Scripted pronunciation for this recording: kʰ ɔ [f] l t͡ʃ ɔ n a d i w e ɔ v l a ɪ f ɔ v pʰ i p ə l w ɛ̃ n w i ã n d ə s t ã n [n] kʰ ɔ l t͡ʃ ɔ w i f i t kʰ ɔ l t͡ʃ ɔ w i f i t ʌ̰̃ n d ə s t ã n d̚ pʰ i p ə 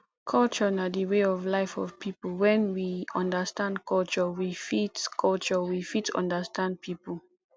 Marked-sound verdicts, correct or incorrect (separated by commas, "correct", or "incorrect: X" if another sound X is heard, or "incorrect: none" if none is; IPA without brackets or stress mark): incorrect: none, incorrect: d